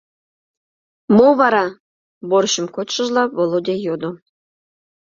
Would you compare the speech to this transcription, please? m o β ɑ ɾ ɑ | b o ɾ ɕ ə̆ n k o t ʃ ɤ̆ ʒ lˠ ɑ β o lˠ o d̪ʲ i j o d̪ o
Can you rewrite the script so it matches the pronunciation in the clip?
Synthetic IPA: m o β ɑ ɾ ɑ | b o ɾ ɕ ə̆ m k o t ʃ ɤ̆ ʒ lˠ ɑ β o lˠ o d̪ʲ e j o d̪ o

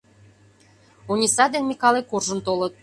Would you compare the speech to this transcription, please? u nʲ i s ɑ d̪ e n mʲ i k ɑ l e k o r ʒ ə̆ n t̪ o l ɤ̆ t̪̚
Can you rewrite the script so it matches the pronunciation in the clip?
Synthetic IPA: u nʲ i s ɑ d̪ e n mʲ i k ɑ l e k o r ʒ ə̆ n t̪ o l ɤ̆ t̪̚

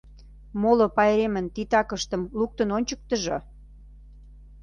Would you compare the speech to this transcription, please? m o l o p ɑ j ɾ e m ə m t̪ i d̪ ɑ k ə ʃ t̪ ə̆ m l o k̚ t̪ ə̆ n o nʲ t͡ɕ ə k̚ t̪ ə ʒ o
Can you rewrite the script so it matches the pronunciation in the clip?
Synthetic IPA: m o l o p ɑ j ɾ e m ə n t̪ i t̪ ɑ k ə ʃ t̪ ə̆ m l u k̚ t̪ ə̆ n o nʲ t͡ɕ ə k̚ t̪ ə ʒ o

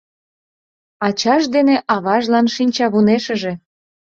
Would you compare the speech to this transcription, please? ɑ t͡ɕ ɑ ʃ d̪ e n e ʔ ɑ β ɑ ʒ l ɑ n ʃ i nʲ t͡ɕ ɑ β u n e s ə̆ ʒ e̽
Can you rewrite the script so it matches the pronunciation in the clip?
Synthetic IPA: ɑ t͡ɕ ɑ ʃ d̪ e n e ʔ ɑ β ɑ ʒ l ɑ n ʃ i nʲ t͡ɕ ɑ β u n e ʃ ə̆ ʒ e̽

